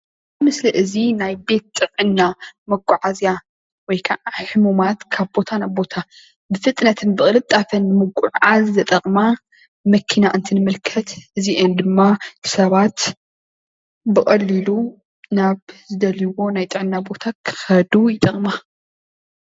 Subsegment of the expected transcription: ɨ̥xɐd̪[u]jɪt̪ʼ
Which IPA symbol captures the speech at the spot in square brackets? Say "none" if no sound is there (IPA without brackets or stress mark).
u